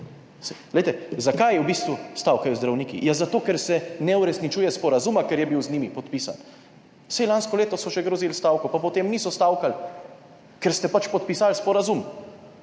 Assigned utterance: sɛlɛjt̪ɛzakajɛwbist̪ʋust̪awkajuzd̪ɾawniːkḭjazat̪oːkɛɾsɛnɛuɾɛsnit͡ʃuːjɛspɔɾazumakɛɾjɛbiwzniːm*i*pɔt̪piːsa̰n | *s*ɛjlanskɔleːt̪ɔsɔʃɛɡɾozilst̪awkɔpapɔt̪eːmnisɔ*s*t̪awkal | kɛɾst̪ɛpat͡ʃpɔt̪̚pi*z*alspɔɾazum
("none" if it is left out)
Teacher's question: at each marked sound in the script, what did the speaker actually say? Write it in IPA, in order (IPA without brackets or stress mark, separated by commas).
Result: i, s, s, s